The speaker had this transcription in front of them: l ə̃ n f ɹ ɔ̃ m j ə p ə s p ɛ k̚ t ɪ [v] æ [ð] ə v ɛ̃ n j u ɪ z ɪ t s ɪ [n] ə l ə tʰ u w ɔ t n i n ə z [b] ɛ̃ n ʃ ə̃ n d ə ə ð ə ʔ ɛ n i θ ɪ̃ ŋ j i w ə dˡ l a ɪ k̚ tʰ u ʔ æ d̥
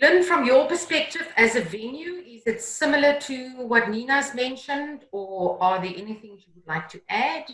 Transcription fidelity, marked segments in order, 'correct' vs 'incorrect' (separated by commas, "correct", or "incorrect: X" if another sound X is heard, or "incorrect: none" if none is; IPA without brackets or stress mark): correct, incorrect: z, incorrect: m, incorrect: m